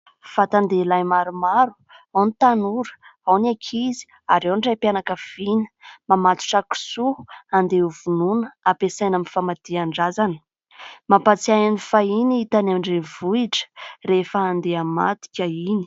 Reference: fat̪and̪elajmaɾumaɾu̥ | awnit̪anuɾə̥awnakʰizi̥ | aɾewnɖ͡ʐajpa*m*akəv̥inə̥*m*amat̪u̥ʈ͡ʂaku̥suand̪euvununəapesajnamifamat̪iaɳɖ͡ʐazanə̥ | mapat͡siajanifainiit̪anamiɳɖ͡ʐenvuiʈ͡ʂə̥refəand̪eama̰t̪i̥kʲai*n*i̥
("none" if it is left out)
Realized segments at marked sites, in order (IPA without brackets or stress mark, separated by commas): n, m, n